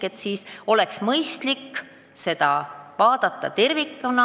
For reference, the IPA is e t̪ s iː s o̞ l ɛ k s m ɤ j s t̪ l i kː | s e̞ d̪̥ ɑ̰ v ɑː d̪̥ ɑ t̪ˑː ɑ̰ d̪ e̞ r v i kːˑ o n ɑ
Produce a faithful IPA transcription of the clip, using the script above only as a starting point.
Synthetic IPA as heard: e t̪ s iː s o̞ l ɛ k s m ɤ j s t̪ l i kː | s e̞ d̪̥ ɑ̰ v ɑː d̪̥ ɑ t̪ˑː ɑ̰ t̪ e̞ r v i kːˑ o n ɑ